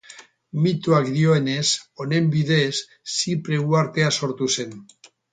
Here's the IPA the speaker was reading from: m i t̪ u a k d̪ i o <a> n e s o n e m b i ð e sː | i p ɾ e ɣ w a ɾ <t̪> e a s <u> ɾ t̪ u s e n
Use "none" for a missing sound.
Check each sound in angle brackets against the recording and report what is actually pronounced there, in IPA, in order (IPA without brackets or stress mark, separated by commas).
e, t̪, o